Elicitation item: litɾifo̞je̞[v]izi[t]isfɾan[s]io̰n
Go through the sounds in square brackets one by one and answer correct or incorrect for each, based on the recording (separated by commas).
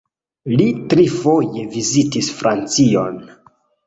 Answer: correct, correct, incorrect